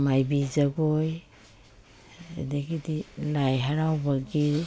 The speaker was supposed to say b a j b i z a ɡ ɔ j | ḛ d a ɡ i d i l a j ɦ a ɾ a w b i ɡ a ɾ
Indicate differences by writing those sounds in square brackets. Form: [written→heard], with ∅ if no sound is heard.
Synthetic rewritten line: [b→m] a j b i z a ɡ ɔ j | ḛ d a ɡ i d i l a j ɦ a ɾ a w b [i→a] ɡ [a→i] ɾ